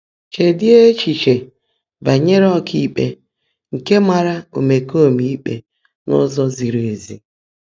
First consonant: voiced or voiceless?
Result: voiceless